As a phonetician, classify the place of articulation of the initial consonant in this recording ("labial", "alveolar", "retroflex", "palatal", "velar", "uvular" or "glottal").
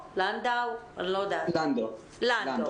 alveolar